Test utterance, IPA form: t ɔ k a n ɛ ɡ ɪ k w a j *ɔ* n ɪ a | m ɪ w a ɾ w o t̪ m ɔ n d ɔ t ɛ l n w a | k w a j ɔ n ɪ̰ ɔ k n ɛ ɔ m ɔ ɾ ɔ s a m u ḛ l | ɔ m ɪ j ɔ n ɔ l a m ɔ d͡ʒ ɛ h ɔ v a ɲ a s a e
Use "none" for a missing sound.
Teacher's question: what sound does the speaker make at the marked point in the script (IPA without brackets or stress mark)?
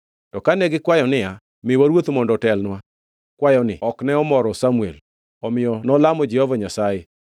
ɔ